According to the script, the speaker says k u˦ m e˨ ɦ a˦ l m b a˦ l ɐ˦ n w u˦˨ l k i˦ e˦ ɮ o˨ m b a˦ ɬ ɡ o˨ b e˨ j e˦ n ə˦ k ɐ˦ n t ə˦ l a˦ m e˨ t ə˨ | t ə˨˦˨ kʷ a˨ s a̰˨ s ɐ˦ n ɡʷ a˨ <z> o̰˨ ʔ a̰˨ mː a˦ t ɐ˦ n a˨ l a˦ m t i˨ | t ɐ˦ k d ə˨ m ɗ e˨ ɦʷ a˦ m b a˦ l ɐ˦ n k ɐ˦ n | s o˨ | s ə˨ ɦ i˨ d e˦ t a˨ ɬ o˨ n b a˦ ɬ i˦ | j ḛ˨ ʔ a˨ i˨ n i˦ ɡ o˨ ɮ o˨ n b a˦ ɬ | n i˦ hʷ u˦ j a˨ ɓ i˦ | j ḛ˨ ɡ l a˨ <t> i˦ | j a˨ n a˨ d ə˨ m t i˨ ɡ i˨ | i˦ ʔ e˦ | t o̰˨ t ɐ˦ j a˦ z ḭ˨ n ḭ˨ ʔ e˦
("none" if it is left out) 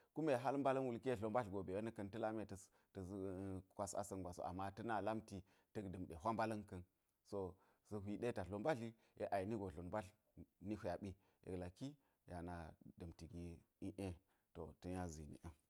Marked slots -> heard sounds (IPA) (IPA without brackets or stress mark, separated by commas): s, k